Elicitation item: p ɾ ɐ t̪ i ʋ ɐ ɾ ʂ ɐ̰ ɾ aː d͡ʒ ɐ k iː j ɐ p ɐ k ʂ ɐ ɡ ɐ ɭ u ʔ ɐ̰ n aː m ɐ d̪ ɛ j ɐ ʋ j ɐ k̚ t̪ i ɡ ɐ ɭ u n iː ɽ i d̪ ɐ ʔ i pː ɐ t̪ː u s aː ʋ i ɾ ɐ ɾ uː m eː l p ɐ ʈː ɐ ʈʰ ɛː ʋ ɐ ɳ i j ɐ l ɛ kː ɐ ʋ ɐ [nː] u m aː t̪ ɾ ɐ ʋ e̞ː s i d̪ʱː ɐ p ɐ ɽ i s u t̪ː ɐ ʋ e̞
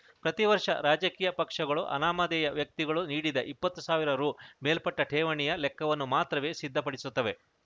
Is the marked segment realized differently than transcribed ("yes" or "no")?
no